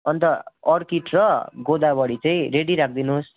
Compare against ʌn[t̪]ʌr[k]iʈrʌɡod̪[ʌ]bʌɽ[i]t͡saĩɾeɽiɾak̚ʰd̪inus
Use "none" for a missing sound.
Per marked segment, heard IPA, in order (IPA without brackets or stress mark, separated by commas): t̪, k, a, i